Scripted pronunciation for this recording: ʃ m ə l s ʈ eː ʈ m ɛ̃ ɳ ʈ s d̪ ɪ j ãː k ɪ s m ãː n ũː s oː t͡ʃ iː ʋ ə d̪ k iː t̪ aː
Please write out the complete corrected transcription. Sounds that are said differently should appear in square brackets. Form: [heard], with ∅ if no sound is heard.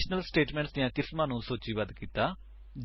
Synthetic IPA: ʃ [n] ə l s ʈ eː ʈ m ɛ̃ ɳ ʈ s d̪ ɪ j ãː k ɪ s m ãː n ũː s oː t͡ʃ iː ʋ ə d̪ k iː t̪ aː